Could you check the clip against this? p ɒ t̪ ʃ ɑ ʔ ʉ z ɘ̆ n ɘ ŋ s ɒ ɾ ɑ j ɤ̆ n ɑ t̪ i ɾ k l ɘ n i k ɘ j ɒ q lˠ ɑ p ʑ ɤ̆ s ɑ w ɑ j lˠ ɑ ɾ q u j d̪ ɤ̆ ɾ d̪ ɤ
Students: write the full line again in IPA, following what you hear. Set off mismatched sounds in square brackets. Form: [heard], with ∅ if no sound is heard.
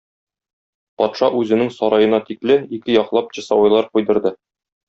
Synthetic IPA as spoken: p ɒ t̪ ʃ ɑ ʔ ʉ z ɘ̆ n ɘ ŋ s ɒ ɾ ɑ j ɤ̆ n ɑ t̪ i [∅] k l ɘ n i k ɘ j ɒ q lˠ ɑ p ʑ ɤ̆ s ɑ w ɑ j lˠ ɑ ɾ q u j d̪ ɤ̆ ɾ d̪ ɤ